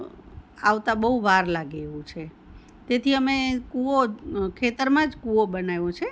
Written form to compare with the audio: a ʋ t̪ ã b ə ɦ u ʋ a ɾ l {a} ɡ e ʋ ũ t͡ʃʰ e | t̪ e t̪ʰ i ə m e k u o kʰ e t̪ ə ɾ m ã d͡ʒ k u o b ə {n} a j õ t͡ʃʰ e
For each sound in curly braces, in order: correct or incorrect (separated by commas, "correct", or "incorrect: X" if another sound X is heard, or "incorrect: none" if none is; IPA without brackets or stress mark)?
correct, correct